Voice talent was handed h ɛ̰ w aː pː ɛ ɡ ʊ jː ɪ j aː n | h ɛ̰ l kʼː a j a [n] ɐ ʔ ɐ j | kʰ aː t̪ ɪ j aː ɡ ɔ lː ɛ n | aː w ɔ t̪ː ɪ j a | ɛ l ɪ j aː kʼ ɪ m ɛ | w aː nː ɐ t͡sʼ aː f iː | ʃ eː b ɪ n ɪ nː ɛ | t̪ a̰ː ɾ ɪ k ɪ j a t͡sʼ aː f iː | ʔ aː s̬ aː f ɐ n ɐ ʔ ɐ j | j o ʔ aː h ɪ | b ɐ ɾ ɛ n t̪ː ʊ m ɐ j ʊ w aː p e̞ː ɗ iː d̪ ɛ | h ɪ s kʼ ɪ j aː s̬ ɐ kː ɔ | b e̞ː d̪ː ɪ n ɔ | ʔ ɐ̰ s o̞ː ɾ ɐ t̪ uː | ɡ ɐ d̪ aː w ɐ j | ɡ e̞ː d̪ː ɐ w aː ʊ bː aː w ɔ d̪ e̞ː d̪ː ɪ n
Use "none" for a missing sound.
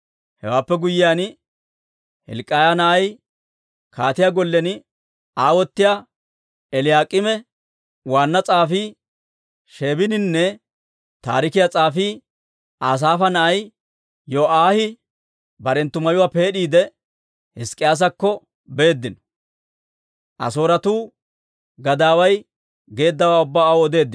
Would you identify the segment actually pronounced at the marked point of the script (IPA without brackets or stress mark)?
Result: n